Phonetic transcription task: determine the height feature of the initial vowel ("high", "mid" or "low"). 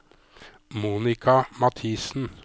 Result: high